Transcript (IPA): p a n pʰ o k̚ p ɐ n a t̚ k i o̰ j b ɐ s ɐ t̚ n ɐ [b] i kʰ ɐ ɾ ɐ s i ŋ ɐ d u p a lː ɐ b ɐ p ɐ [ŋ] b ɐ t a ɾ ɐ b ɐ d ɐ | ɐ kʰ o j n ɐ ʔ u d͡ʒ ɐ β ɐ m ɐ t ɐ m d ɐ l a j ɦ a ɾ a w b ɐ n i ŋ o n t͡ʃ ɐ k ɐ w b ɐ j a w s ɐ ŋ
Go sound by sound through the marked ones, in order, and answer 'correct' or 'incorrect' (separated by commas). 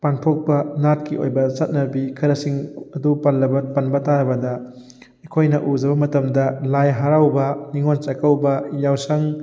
correct, incorrect